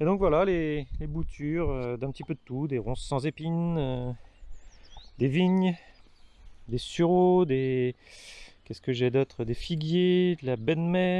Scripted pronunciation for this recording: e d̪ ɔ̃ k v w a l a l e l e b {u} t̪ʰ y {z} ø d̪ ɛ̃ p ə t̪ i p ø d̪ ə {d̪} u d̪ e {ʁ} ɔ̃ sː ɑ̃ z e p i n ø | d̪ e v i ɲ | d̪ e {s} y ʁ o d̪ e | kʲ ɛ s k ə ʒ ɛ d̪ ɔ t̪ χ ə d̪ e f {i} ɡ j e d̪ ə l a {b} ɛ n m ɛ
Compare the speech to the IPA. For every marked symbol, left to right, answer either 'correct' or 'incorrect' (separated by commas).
correct, incorrect, incorrect, correct, correct, correct, correct